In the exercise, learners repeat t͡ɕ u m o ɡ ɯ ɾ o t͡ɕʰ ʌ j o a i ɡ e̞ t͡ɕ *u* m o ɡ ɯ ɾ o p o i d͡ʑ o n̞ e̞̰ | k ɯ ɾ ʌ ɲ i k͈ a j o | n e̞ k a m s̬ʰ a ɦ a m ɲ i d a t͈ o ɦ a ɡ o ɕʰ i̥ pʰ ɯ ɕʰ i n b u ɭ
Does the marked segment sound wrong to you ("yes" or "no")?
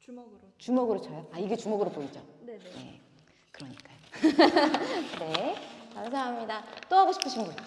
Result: no